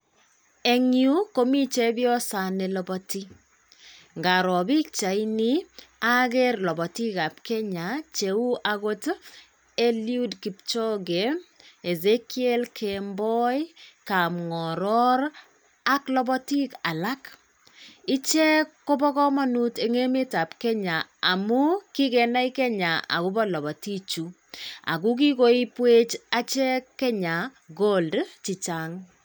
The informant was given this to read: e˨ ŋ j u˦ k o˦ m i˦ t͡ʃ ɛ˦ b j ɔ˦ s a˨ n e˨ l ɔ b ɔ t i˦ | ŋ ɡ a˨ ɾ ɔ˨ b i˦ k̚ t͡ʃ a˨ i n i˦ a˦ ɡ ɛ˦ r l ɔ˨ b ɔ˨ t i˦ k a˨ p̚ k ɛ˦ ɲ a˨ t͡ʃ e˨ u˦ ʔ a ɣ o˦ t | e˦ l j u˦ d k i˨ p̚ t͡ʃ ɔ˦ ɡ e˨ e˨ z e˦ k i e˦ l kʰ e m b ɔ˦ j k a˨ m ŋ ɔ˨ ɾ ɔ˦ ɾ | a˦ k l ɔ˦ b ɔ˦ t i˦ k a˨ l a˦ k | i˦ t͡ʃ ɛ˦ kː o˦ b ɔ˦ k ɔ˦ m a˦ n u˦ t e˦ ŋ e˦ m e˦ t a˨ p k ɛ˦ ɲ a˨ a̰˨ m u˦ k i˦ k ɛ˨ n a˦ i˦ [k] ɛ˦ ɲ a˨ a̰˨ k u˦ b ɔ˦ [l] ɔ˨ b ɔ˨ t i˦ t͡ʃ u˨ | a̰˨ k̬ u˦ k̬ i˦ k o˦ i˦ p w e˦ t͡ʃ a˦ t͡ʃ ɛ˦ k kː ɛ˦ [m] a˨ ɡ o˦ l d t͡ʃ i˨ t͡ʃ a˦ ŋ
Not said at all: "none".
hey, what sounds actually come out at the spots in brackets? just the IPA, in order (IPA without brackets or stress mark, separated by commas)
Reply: k, l, ɲ